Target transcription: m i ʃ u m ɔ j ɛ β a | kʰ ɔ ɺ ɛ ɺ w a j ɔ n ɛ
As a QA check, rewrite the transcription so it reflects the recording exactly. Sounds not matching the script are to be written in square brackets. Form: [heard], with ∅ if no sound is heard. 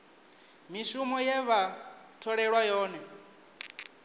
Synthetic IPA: m i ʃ u m ɔ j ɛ β a | [tʰ] ɔ ɺ ɛ ɺ w a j [ɔː] n ɛ